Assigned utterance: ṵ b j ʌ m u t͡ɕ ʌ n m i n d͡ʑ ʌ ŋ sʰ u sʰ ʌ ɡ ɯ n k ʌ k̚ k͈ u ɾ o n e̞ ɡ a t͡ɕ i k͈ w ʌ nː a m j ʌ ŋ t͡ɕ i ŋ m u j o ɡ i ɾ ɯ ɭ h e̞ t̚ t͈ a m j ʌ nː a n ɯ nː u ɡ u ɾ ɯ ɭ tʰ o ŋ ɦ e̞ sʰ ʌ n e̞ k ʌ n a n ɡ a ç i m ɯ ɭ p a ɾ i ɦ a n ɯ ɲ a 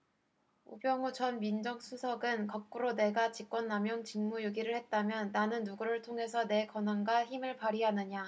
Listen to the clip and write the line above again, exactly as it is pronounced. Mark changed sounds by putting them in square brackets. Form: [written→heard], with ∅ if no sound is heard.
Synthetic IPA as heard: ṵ b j ʌ [m→ŋ] u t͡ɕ ʌ n m i n d͡ʑ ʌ ŋ sʰ u sʰ ʌ ɡ ɯ n k ʌ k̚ k͈ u ɾ o n e̞ ɡ a t͡ɕ i k͈ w ʌ nː a m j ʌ ŋ t͡ɕ i ŋ m u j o ɡ i ɾ ɯ ɭ h e̞ t̚ t͈ a m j ʌ nː a n ɯ nː u ɡ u ɾ ɯ ɭ tʰ o ŋ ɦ e̞ sʰ ʌ n e̞ k ʌ n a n ɡ a ç i m ɯ ɭ p a ɾ i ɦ a n ɯ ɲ a

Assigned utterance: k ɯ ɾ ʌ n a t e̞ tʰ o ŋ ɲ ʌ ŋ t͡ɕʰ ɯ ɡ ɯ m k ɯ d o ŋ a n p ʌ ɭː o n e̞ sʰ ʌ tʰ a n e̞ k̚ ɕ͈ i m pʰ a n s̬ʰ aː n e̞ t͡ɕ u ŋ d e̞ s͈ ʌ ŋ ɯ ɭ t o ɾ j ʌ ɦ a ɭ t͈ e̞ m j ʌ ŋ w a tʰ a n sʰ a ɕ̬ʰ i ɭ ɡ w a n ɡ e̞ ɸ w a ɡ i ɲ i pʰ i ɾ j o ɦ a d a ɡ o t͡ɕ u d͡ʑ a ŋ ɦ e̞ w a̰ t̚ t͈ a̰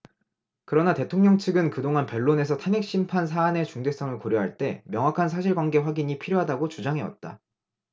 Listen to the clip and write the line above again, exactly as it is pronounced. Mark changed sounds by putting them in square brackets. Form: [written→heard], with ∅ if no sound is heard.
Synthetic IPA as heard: k ɯ ɾ ʌ n a t e̞ tʰ o ŋ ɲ ʌ ŋ t͡ɕʰ ɯ ɡ ɯ [m→n] k ɯ d o ŋ a n p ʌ ɭː o n e̞ sʰ ʌ tʰ a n e̞ k̚ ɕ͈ i m pʰ a n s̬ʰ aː n e̞ t͡ɕ u ŋ d e̞ s͈ ʌ ŋ ɯ ɭ [t→k] o ɾ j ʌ ɦ a ɭ t͈ e̞ m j ʌ ŋ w a [tʰ→kʰ] a n sʰ a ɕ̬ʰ i ɭ ɡ w a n ɡ e̞ ɸ w a ɡ i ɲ i pʰ i ɾ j o ɦ a d a ɡ o t͡ɕ u d͡ʑ a ŋ ɦ e̞ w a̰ t̚ t͈ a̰

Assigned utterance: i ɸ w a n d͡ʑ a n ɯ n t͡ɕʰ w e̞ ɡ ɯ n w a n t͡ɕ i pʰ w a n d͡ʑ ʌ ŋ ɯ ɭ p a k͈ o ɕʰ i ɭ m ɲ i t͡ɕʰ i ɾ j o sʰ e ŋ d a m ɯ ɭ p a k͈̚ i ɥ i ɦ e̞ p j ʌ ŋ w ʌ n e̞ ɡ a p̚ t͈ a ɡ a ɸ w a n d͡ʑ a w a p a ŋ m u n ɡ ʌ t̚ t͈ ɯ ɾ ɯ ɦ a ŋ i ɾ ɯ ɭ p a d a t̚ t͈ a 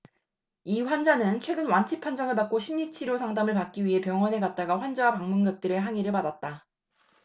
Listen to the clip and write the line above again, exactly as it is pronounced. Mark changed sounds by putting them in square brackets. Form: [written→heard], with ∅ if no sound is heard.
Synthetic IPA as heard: i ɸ w a n d͡ʑ a n ɯ n t͡ɕʰ w e̞ ɡ ɯ n w a n [t͡ɕ→t͡ɕʰ] i pʰ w a n d͡ʑ ʌ ŋ ɯ ɭ p a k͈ o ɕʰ i [ɭ→∅] m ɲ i t͡ɕʰ i ɾ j o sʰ [e→a] ŋ d a m ɯ ɭ p a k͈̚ i ɥ i ɦ e̞ p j ʌ ŋ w ʌ n e̞ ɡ a [p̚→t̚] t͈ a ɡ a ɸ w a n d͡ʑ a w a p a ŋ m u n ɡ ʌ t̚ t͈ ɯ ɾ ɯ ɦ a ŋ i ɾ ɯ ɭ p a d a t̚ t͈ a

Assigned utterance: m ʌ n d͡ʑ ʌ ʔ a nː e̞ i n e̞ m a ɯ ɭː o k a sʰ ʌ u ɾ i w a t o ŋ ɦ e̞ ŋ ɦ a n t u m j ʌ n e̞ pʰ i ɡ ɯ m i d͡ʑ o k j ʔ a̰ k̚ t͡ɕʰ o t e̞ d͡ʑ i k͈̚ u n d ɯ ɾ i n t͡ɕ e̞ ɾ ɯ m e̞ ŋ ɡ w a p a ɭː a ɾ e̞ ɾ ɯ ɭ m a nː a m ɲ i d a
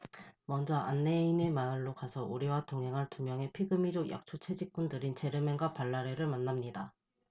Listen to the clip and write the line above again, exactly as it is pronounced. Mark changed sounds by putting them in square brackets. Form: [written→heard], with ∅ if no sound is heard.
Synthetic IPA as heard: m ʌ n d͡ʑ ʌ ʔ a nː e̞ i n e̞ m a ɯ ɭː o k a sʰ ʌ u ɾ i w a t o ŋ ɦ e̞ ŋ ɦ a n t u m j ʌ [n→ŋ] e̞ pʰ i ɡ ɯ m i d͡ʑ o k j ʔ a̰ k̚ t͡ɕʰ o [t→t͡ɕʰ] e̞ d͡ʑ i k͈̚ u n d ɯ ɾ i n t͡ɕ e̞ ɾ ɯ m e̞ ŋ ɡ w a p a ɭː a ɾ e̞ ɾ ɯ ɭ m a nː a m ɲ i d a

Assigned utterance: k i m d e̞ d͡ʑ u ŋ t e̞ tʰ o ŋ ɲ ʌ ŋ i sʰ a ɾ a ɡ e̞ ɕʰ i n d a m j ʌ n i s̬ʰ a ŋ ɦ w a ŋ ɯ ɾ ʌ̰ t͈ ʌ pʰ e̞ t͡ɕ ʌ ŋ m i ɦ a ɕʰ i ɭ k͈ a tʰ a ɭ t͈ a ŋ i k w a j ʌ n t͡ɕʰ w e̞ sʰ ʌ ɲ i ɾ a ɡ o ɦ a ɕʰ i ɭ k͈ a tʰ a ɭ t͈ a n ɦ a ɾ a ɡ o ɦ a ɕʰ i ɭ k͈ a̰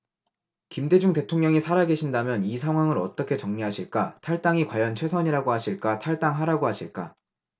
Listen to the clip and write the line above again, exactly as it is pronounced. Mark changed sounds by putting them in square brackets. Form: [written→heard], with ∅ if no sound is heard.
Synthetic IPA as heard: k i m d e̞ d͡ʑ u ŋ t e̞ tʰ o ŋ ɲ ʌ ŋ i sʰ a ɾ a ɡ e̞ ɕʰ i n d a m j ʌ n i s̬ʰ a ŋ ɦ w a ŋ ɯ ɾ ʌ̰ t͈ ʌ [pʰ→kʰ] e̞ t͡ɕ ʌ ŋ [m→ɲ] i ɦ a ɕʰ i ɭ k͈ a tʰ a ɭ t͈ a ŋ i k w a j ʌ n t͡ɕʰ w e̞ sʰ ʌ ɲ i ɾ a ɡ o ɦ a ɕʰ i ɭ k͈ a tʰ a ɭ t͈ a [n→ŋ] ɦ a ɾ a ɡ o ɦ a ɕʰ i ɭ k͈ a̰

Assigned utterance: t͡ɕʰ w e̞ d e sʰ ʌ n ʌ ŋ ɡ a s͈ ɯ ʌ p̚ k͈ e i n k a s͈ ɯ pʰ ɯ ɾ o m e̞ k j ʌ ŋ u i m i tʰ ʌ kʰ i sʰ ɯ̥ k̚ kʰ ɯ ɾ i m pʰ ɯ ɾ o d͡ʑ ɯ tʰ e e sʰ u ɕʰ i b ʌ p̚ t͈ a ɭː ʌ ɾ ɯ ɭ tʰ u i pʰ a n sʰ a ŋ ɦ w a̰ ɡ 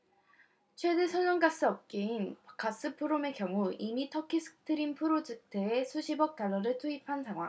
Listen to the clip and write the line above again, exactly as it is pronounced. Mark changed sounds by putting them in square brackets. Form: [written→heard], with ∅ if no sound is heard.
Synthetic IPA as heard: t͡ɕʰ w e̞ d e sʰ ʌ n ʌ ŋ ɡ a s͈ ɯ ʌ p̚ k͈ e i n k a s͈ ɯ pʰ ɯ ɾ o m e̞ k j ʌ ŋ u i m i tʰ ʌ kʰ i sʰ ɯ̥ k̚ [kʰ→tʰ] ɯ ɾ i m pʰ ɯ ɾ o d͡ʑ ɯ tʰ e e sʰ u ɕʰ i b ʌ [p̚→k̚] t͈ a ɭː ʌ ɾ ɯ ɭ tʰ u i pʰ a n sʰ a ŋ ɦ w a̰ [ɡ→ŋ]

